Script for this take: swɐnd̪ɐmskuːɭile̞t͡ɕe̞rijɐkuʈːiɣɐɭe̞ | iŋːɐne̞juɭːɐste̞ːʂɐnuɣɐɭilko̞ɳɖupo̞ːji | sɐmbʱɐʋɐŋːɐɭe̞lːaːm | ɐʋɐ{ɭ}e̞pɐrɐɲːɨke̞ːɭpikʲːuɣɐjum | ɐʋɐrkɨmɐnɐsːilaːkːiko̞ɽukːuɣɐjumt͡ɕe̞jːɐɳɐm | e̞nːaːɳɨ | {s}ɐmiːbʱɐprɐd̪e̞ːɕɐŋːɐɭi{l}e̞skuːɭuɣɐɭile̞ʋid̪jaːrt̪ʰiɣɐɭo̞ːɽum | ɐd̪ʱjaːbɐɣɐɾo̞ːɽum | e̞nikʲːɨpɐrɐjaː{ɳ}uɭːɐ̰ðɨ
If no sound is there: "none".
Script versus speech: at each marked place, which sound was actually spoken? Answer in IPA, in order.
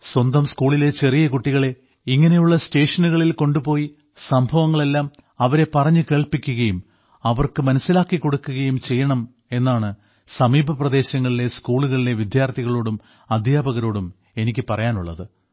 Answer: ɾ, s, l, n

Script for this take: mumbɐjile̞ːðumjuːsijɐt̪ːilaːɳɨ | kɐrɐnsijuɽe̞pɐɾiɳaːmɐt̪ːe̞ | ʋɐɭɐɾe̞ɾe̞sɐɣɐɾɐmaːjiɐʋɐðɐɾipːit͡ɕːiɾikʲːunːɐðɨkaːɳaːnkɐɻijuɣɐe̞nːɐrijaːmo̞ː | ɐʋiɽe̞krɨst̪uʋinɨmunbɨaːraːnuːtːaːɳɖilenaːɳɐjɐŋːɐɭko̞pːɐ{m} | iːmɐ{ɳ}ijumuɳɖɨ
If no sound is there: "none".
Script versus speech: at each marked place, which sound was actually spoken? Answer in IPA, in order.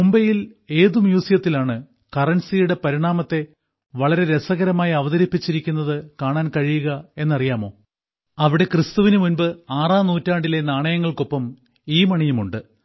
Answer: m, ɳ

